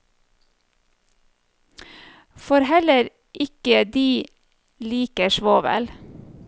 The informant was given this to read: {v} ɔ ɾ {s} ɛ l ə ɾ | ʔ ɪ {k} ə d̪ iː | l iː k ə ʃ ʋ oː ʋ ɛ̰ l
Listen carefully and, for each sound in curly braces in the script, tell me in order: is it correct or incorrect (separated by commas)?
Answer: incorrect, incorrect, correct